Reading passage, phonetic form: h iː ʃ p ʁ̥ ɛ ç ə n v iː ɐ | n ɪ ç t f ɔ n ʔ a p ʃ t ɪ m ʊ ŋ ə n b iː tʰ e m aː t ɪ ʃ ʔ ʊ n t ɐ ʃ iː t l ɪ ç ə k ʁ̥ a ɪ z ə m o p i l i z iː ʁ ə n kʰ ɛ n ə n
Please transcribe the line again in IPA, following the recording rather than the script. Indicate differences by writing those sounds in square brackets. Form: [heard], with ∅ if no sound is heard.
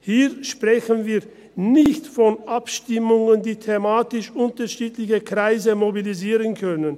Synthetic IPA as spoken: h iː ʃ p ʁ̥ ɛ ç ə n v iː ɐ | n ɪ ç t f ɔ n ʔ a p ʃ t ɪ m ʊ ŋ ə n [d] iː tʰ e m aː t ɪ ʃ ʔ ʊ n t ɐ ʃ iː t l ɪ ç ə k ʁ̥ a ɪ z ə m o [b] i l i z iː ʁ ə n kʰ [œ] n ə n